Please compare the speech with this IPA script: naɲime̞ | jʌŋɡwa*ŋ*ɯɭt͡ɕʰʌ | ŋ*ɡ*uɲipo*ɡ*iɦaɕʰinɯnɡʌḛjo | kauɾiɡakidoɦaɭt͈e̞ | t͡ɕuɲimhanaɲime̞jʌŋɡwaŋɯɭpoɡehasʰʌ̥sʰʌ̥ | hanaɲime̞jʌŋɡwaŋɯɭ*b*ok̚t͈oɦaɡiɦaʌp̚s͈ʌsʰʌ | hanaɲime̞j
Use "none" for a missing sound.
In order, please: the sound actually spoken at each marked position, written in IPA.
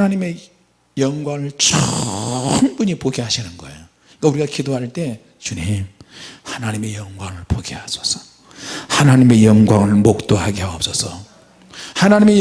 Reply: ŋ, b, ɡ, m

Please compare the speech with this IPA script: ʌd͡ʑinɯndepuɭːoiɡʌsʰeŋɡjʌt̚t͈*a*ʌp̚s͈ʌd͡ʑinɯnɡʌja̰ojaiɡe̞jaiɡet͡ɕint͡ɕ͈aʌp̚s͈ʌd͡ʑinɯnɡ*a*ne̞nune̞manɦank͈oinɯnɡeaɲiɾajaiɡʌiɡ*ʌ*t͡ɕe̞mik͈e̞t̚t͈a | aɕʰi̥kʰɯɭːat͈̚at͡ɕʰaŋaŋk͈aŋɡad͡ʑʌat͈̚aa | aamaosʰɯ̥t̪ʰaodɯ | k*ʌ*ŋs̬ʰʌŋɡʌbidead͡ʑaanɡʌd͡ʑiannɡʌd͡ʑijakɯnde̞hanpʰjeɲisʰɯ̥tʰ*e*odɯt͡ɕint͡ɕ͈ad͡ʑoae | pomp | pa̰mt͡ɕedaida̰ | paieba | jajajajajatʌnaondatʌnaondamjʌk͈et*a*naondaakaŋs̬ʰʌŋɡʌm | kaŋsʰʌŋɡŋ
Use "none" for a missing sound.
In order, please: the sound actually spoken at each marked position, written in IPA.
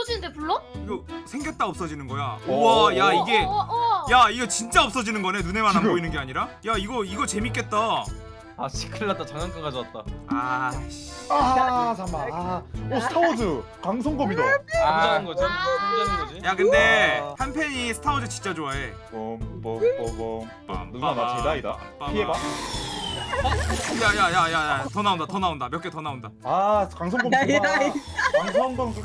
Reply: a, ʌ, ʌ, a, a, ʌ

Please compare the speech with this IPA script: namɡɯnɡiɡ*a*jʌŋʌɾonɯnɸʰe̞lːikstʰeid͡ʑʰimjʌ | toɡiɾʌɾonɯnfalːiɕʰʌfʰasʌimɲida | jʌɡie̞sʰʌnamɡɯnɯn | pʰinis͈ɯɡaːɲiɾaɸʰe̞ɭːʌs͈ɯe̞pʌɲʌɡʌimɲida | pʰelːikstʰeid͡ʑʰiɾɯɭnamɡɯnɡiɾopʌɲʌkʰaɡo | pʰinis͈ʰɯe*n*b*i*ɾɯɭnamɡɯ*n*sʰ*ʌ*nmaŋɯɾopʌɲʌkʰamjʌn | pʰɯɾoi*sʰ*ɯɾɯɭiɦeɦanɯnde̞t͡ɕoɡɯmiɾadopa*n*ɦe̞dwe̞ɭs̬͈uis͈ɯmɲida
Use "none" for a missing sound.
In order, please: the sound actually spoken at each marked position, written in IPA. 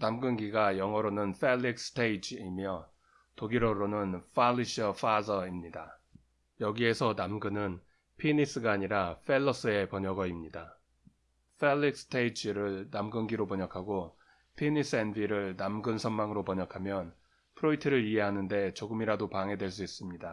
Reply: a, n, i, n, ʌ, tʰ, ŋ

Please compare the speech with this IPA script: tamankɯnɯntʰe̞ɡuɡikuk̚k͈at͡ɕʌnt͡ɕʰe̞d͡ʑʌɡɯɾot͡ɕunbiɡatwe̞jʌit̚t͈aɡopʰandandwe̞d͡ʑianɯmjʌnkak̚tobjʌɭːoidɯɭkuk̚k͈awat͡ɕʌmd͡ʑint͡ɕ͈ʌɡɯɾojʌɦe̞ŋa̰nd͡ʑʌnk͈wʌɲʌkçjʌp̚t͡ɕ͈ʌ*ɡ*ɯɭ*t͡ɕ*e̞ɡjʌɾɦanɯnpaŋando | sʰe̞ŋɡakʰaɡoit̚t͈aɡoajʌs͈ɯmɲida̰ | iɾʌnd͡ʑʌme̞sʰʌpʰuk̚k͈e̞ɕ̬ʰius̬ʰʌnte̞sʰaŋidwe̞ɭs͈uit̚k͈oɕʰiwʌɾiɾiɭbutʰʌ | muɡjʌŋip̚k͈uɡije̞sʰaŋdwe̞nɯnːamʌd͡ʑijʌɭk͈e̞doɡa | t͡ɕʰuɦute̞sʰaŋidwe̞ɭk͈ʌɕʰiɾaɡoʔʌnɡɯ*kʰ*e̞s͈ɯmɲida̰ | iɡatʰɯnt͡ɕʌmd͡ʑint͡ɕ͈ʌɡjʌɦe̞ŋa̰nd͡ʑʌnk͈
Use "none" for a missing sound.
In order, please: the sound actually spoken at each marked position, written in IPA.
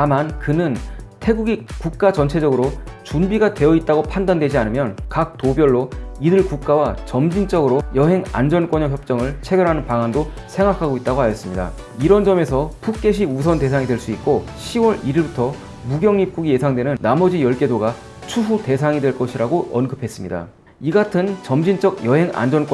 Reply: ŋ, t͡ɕʰ, pʰ

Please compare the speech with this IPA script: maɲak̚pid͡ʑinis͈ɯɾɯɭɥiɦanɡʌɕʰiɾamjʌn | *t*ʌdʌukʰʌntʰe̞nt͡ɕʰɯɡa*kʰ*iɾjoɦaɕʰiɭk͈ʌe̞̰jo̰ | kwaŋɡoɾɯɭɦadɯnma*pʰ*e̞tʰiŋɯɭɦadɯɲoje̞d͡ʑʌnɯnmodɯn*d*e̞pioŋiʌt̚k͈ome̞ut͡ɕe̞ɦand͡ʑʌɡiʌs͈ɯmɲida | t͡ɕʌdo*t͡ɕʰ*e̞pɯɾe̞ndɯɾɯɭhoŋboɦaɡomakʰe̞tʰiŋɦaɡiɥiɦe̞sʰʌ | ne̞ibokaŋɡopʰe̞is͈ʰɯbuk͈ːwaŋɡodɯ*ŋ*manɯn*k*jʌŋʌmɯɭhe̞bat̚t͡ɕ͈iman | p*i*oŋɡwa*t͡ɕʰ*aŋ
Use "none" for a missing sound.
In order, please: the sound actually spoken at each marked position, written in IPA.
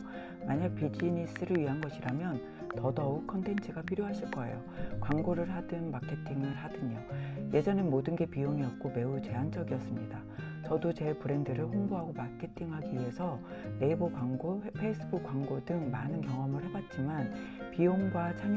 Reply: t, pʰ, kʰ, ɡ, t͡ɕ, ŋ, k, i, t͡ɕʰ

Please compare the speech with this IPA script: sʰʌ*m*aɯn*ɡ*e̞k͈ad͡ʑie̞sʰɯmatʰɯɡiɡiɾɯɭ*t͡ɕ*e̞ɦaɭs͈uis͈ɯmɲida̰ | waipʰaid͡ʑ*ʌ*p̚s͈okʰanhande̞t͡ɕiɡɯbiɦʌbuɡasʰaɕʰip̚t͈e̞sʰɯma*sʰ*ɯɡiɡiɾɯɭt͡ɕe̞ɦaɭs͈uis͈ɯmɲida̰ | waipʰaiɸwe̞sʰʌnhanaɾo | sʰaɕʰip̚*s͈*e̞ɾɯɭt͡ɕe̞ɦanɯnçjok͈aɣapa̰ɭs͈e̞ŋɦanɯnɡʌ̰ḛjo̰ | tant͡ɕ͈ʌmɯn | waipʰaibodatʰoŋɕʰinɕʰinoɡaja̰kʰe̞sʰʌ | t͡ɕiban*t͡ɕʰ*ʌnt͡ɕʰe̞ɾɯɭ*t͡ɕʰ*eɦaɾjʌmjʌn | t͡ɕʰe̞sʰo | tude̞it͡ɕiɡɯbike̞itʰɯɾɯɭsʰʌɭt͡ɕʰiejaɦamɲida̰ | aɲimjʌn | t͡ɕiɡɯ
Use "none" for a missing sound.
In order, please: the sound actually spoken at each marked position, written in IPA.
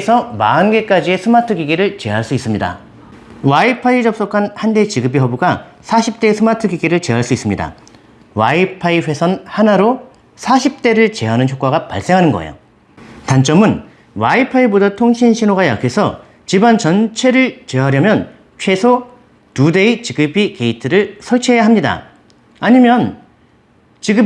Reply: m, ɡ, t͡ɕ, ʌ, tʰ, t͈, t͡ɕ, t͡ɕ

